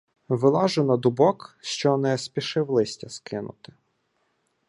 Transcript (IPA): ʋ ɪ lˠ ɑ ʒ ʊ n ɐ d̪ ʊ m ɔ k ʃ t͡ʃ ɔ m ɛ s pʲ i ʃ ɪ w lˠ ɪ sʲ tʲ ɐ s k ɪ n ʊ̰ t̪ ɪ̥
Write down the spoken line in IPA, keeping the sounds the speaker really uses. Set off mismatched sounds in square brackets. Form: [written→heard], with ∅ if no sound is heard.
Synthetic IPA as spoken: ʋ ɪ lˠ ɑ ʒ ʊ n ɐ d̪ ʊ [m→b] ɔ k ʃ t͡ʃ ɔ [m→n] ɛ s pʲ i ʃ ɪ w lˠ ɪ sʲ tʲ ɐ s k ɪ n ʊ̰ t̪ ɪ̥